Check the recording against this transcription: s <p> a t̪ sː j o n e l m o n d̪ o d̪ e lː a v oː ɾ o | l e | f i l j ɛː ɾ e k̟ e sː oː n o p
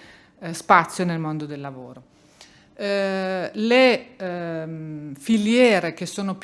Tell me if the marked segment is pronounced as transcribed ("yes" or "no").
yes